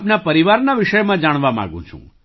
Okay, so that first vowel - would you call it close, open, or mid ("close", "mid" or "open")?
open